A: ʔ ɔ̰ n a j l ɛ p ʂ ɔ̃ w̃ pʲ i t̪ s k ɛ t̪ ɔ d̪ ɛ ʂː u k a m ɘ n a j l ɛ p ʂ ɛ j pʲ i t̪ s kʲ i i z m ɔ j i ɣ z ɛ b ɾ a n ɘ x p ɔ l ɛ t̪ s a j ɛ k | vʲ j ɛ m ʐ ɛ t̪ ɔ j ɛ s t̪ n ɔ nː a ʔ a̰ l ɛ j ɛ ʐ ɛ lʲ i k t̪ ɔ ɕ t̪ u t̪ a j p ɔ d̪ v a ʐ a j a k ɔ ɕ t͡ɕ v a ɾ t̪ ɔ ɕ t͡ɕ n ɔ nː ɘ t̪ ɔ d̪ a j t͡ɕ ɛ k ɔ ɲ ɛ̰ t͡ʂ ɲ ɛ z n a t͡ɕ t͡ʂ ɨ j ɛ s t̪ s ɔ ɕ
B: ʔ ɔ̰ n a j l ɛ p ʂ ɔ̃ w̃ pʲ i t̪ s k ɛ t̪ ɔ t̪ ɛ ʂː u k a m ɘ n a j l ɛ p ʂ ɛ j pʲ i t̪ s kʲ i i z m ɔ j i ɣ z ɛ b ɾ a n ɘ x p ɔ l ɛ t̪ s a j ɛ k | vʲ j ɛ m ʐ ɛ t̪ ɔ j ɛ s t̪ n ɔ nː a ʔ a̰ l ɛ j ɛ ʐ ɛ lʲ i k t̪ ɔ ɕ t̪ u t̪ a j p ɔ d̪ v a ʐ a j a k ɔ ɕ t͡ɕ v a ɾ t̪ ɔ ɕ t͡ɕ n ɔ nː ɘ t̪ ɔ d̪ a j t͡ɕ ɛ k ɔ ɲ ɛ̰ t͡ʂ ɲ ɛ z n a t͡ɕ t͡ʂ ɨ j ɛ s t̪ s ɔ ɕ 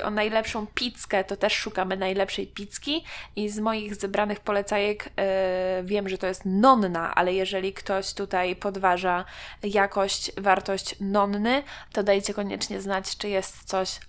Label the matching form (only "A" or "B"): B